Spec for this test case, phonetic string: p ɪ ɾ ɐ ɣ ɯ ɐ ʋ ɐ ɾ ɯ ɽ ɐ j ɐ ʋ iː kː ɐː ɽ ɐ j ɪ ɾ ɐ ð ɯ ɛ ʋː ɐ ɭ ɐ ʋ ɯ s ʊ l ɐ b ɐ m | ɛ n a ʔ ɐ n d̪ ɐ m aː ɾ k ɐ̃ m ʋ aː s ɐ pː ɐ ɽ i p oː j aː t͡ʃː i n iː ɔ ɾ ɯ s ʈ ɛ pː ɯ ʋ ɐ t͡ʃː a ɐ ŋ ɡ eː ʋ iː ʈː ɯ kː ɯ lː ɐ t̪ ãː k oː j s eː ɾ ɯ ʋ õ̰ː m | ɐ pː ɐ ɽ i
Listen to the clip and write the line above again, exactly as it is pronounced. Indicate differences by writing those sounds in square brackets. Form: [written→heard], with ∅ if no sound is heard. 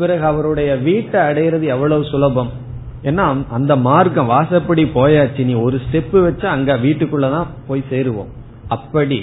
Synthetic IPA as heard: p ɪ ɾ ɐ ɣ ɯ ɐ ʋ ɐ ɾ ɯ ɽ ɐ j ɐ ʋ iː [kː→ʈː] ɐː ɽ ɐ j ɪ ɾ ɐ ð ɯ ɛ ʋː ɐ ɭ ɐ ʋ ɯ s ʊ l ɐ b ɐ m | ɛ [n→nː] a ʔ ɐ n d̪ ɐ m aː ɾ k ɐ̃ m ʋ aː s ɐ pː ɐ ɽ i p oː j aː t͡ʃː i n iː ɔ ɾ ɯ s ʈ ɛ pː ɯ ʋ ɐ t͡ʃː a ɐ ŋ ɡ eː ʋ iː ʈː ɯ kː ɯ [lː→ɭː] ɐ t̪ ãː [k→p] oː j s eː ɾ ɯ ʋ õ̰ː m | ɐ pː ɐ ɽ i